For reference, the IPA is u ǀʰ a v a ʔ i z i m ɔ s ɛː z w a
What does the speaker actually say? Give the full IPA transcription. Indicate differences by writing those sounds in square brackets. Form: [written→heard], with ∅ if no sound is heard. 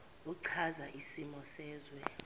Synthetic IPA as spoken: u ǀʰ a [v→z] a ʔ i [z→s] i m ɔ s ɛː z w [a→ɛ]

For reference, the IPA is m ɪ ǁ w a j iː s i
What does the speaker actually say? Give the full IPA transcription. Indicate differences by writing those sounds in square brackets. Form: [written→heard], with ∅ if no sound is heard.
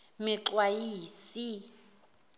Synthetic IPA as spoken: m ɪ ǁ w a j iː s i

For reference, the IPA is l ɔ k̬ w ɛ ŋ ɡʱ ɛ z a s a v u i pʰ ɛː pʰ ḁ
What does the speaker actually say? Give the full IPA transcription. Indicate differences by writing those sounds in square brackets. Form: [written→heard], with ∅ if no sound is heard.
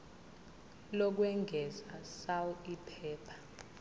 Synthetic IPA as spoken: l ɔ k̬ w ɛ ŋ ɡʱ ɛ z a s a [v→w] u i pʰ ɛː pʰ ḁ

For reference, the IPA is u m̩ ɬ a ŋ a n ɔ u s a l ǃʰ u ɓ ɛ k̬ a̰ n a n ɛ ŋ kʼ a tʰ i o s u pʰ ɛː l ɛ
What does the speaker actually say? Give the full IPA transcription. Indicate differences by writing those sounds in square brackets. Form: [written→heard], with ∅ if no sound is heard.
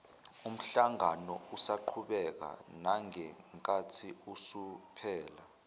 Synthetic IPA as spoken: u m̩ ɬ a ŋ a n ɔ u s a [l→∅] ǃʰ u ɓ ɛ k̬ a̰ n a [n→ŋ] ɛ ŋ kʼ a tʰ i [o→u] s u pʰ ɛː l [ɛ→a]

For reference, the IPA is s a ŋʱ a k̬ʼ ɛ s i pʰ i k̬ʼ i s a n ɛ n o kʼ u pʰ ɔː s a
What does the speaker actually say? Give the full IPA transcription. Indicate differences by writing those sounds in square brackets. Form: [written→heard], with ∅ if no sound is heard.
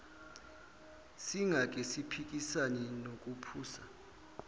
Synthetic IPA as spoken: s [a→i] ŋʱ a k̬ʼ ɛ s i pʰ i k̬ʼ i s a n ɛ n o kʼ u pʰ [ɔː→uː] s a

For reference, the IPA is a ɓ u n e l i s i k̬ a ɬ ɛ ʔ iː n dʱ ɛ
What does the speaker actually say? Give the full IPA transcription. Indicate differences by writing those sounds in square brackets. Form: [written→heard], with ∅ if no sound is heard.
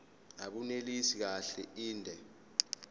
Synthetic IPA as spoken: a ɓ u n e l i s i k̬ a ɬ ɛ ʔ iː n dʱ ɛ

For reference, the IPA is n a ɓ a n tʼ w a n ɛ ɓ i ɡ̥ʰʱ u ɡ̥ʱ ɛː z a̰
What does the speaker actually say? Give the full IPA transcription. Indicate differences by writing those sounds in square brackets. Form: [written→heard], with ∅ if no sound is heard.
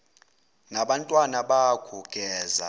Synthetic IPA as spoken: n a ɓ a n tʼ w a n [ɛ→a] ɓ [i→a] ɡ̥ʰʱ u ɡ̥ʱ ɛː z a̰

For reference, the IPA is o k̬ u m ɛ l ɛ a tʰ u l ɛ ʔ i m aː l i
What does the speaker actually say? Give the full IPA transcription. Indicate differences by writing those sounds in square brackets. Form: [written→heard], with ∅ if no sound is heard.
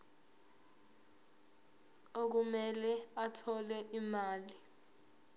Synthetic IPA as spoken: o k̬ u m ɛ l ɛ a tʰ [u→ɔ] l ɛ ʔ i m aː l i

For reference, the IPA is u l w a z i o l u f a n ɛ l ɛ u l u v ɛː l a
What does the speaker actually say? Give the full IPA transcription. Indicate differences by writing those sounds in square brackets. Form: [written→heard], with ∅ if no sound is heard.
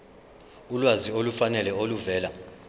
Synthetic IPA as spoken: u l w a z i o l u f a n ɛ l ɛ [u→o] l u v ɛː l a

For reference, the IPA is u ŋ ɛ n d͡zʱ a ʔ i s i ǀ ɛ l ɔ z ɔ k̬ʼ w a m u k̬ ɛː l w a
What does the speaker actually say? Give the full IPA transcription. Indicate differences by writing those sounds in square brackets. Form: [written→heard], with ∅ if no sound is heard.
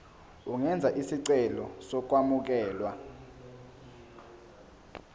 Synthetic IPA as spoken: u ŋ ɛ n d͡zʱ a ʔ i s i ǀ ɛ l ɔ [z→s] ɔ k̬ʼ w a m u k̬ ɛː l w a

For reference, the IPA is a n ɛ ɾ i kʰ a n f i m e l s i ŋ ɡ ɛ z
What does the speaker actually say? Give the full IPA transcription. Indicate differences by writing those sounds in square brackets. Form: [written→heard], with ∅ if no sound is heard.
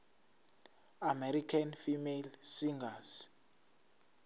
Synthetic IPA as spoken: a [n→m] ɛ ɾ i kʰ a n f i m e l s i ŋ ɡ [ɛ→a] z

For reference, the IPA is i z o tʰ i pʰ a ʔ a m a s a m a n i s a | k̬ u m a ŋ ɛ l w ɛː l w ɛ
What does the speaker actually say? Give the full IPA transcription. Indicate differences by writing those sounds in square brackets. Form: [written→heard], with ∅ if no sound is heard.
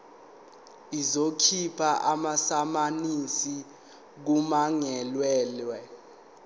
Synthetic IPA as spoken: i z o [tʰ→kʰ] i pʰ a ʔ a m a s a m a n i s [a→i] | k̬ u m a ŋ ɛ l w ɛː l w ɛ

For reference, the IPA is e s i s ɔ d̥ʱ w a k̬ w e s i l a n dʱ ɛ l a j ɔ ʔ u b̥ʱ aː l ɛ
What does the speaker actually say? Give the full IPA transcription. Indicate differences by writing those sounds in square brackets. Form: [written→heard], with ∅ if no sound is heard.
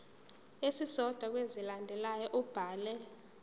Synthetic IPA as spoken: e s i s ɔ d̥ʱ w a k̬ w e [s→z] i l a n dʱ ɛ l a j ɔ ʔ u b̥ʱ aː l ɛ

